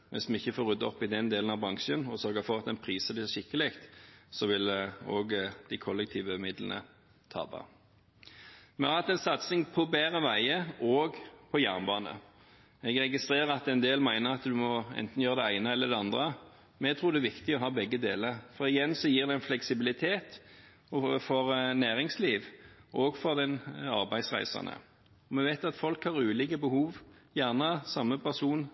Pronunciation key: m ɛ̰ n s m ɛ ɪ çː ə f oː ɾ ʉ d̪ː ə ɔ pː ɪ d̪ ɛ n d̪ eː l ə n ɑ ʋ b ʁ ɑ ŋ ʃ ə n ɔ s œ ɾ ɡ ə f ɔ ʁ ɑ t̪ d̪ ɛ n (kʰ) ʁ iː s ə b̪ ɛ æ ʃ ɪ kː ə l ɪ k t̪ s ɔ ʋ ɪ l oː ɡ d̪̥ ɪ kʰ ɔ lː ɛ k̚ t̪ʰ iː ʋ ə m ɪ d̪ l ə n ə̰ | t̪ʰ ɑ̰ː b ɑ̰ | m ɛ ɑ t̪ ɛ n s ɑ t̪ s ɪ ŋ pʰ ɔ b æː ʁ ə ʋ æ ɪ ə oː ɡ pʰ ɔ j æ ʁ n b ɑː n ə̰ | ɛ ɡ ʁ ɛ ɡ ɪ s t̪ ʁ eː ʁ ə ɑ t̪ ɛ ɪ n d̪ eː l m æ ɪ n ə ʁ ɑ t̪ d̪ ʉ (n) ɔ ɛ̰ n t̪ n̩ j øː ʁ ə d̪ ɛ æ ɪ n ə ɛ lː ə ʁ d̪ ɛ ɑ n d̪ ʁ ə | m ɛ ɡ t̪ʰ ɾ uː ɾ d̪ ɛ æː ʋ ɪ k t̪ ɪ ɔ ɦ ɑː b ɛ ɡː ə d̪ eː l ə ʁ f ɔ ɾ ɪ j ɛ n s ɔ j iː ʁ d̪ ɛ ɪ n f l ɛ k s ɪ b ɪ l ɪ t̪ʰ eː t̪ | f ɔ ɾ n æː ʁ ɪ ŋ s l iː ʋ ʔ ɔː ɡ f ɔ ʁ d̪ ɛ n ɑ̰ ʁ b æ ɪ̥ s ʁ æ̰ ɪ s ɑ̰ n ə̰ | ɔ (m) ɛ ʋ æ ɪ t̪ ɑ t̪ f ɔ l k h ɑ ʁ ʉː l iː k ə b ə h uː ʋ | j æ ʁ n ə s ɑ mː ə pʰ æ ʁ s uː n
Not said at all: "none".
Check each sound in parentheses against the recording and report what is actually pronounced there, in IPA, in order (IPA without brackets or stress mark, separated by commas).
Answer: pʰ, m, m